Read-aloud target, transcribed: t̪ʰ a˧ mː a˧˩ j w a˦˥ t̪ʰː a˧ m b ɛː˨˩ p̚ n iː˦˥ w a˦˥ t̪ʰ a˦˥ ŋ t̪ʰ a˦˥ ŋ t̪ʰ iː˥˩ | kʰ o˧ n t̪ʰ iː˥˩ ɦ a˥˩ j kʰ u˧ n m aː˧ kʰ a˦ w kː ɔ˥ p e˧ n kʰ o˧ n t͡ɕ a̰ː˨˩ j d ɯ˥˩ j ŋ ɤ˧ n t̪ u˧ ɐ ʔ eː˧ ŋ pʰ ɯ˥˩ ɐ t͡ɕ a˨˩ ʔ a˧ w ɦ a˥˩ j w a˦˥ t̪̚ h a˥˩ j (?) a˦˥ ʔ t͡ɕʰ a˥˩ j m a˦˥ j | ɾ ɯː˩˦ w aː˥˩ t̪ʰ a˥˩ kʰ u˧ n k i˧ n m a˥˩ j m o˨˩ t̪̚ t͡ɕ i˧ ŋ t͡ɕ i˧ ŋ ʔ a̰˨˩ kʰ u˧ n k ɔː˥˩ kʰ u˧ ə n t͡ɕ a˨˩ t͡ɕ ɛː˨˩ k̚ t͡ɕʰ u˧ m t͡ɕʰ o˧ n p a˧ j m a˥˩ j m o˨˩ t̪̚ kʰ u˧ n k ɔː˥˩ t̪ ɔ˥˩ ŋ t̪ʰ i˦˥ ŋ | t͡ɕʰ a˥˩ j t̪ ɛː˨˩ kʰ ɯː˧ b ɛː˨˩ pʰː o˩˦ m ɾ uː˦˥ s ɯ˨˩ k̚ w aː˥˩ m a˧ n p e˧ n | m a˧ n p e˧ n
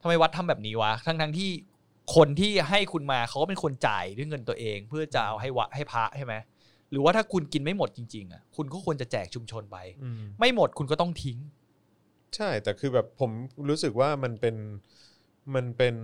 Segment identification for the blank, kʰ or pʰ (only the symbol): pʰ